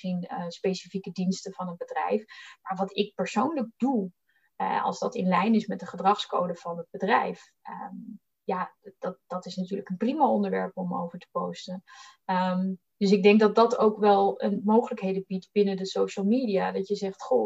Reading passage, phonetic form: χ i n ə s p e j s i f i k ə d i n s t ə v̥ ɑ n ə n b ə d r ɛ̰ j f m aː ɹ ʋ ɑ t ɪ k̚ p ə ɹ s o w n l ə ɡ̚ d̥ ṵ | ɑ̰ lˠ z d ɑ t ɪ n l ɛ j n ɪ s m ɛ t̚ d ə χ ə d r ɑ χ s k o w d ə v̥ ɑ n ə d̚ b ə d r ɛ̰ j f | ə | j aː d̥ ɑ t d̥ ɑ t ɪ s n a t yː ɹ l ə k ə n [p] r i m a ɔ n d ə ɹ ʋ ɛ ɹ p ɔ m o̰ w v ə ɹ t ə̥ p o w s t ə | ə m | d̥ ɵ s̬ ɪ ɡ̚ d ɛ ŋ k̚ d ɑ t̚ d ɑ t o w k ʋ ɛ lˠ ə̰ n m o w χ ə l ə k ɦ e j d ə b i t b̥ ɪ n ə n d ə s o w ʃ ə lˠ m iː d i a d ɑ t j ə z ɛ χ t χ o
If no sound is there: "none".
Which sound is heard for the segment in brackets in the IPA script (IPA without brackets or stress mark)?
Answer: p